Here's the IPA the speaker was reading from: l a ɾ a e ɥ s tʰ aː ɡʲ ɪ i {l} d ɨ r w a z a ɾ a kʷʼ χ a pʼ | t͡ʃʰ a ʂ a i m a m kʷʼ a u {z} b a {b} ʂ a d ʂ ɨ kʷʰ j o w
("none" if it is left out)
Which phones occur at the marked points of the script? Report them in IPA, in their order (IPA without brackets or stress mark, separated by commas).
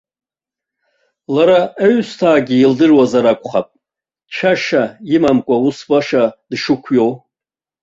l, s, none